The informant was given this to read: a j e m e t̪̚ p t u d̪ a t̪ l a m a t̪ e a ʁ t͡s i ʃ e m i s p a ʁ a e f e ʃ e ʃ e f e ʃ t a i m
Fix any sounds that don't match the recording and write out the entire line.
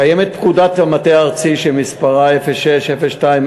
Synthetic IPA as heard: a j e m e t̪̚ p k u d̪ a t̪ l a m a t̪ e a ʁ t͡s i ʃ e m i s p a ʁ a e f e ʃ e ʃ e f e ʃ t a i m